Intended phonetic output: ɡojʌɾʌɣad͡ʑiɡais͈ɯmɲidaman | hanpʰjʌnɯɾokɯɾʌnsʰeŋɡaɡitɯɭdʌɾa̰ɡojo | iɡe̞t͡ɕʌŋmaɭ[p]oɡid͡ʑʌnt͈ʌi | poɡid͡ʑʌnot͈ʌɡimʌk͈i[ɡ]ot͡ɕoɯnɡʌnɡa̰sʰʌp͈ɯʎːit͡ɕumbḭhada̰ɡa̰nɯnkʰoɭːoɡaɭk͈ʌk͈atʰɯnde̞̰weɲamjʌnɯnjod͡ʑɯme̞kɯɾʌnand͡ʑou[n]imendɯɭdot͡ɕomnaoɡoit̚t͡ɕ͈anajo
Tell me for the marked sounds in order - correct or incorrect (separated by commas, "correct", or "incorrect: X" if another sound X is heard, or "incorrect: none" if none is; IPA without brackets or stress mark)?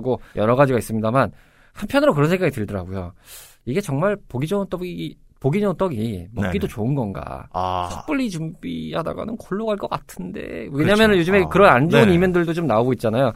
correct, incorrect: d, correct